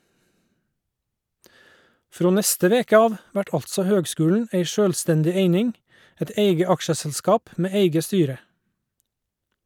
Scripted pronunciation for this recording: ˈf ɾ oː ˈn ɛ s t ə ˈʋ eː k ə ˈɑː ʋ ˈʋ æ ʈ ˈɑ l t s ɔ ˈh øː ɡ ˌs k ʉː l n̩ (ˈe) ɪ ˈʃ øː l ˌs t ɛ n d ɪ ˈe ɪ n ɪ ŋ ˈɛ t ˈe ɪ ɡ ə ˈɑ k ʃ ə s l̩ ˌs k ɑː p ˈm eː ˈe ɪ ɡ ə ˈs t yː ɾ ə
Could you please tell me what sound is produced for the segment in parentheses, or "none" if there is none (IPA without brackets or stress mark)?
e